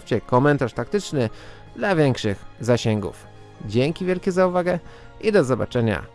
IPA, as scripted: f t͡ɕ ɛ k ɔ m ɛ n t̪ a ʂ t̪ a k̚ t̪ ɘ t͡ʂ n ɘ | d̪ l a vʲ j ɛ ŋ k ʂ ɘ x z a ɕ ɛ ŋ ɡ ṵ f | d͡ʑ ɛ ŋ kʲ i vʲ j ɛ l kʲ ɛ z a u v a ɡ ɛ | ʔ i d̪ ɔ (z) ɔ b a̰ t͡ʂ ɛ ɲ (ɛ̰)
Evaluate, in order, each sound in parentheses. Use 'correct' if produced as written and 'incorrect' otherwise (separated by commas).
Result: correct, incorrect